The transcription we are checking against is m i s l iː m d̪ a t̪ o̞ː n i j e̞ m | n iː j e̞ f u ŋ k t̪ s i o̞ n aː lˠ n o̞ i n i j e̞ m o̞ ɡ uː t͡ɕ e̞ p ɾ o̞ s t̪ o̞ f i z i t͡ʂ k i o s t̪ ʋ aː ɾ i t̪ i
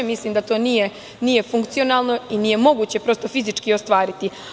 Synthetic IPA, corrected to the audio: m i s l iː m d̪ a t̪ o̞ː n i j e̞ | n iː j e̞ f u ŋ k t̪ s i o̞ n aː lˠ n o̞ i n i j e̞ m o̞ ɡ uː t͡ɕ e̞ p ɾ o̞ s t̪ o̞ f i z i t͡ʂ k i o s t̪ ʋ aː ɾ i t̪ i